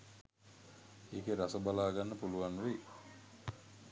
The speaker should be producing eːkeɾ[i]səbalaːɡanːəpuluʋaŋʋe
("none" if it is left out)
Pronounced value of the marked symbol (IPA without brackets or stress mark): a